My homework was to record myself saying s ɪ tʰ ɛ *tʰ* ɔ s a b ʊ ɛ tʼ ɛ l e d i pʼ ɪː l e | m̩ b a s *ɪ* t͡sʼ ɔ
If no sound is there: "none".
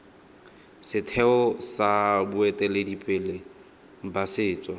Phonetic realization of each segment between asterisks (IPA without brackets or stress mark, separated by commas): none, ɪː